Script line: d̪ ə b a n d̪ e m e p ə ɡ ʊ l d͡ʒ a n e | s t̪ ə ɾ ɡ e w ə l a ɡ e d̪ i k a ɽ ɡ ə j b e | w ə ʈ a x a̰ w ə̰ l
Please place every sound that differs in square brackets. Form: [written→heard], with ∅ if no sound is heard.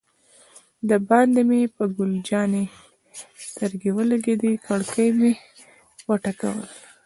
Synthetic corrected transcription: d̪ ə b [a→ɑ] n d̪ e m e p ə ɡ ʊ l d͡ʒ [a→ɑ] n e | s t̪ ə ɾ ɡ e w ə l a ɡ e d̪ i k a ɽ [ɡ→k] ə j [b→m] e | w ə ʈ a [x→k] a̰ w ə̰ l